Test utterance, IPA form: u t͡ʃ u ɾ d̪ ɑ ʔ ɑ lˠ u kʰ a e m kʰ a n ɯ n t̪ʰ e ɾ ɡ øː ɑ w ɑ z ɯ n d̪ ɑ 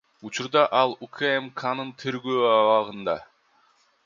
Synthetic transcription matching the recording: u t͡ʃ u ɾ d̪ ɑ ʔ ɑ lˠ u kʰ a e m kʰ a n ɯ n t̪ʰ e ɾ ɡ øː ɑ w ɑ ʁ ɯ n d̪ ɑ